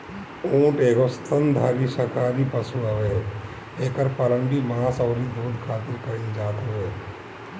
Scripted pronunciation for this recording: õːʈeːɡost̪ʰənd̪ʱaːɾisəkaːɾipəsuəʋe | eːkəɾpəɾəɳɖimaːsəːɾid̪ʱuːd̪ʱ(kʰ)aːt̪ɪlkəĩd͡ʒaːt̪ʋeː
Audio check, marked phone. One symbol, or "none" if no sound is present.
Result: kʰ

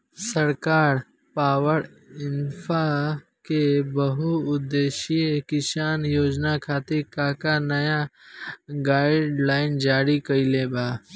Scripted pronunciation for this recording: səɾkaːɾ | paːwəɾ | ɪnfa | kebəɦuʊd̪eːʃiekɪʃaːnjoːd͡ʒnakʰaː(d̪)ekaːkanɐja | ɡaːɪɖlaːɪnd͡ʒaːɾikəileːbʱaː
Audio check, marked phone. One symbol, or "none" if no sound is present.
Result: t̪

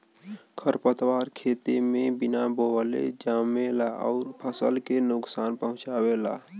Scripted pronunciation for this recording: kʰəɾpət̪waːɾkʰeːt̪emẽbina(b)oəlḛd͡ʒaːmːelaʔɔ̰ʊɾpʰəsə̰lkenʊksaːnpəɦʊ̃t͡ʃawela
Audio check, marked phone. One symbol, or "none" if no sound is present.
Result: b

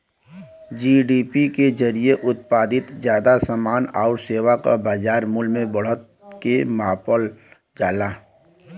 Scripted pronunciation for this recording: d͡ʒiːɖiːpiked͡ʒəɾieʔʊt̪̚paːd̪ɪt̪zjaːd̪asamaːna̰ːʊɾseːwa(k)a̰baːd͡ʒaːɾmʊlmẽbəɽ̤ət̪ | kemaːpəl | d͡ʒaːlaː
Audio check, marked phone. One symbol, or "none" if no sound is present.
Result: k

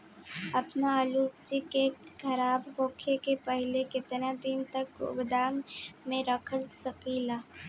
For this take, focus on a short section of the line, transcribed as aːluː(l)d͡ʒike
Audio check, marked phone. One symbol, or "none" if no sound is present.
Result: none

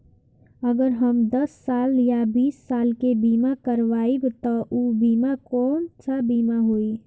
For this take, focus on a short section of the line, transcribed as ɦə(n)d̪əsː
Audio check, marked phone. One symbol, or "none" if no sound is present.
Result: m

